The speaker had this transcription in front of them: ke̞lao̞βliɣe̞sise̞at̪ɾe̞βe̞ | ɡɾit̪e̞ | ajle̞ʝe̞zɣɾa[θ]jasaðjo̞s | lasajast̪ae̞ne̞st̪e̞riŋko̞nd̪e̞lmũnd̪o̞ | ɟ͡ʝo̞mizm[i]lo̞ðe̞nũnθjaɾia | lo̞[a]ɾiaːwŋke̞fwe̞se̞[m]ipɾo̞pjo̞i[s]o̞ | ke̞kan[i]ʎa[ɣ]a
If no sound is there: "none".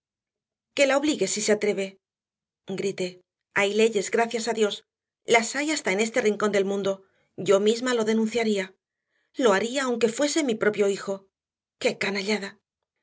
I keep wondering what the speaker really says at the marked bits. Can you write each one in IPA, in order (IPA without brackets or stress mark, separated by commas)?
θ, a, a, m, x, a, ð